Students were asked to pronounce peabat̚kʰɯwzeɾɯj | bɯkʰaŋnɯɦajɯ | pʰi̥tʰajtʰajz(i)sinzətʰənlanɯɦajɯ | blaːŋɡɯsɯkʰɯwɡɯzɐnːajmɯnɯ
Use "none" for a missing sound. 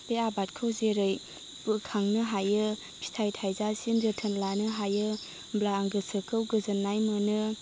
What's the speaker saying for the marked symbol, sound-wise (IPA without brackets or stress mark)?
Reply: a